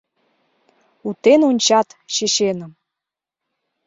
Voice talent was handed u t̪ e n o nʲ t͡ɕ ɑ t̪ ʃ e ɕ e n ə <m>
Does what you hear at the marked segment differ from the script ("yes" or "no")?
no